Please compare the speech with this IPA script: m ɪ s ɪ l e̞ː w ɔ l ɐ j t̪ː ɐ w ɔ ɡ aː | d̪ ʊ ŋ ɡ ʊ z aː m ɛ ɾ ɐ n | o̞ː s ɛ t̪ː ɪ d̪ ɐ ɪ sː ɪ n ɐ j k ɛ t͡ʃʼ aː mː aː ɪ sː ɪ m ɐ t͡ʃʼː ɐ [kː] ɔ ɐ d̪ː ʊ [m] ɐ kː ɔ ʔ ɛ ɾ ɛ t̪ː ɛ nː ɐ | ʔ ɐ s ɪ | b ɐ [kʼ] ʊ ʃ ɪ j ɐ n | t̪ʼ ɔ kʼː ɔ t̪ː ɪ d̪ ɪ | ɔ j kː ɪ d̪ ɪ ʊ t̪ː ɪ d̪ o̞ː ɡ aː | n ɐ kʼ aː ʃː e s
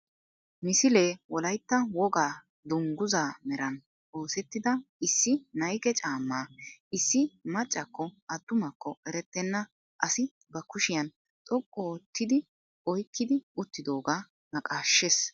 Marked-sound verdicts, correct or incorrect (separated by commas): correct, correct, incorrect